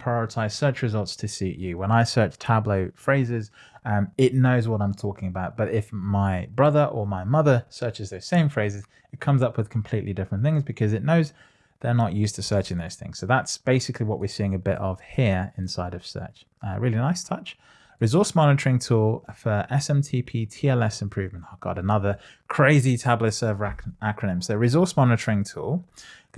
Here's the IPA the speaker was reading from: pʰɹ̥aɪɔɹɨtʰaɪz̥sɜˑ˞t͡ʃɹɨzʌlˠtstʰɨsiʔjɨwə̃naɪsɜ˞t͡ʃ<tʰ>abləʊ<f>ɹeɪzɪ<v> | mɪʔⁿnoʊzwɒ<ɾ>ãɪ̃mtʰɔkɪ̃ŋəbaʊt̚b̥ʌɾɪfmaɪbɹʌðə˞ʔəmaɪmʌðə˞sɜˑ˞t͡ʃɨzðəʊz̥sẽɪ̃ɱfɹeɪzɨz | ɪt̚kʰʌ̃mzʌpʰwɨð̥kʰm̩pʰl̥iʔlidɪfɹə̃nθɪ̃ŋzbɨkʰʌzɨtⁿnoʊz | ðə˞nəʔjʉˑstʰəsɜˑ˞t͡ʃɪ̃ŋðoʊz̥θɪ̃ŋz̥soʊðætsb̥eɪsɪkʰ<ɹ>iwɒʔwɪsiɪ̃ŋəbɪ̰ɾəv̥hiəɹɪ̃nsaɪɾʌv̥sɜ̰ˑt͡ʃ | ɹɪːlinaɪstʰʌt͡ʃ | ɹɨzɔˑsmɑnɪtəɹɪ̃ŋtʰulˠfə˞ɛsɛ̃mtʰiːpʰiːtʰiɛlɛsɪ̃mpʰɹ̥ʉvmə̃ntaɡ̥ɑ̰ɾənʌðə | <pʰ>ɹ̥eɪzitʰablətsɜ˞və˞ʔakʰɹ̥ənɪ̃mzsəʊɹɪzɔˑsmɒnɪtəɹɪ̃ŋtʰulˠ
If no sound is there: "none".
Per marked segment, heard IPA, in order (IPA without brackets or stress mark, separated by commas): tʰ, f, z, ɾ, l, kʰ